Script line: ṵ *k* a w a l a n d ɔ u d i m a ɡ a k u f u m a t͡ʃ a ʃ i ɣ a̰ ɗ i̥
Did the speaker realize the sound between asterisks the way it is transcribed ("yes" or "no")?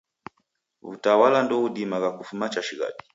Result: no